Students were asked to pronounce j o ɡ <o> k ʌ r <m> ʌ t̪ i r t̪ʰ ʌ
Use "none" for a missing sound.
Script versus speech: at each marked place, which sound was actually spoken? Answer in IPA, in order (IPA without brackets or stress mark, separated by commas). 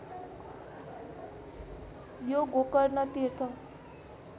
o, n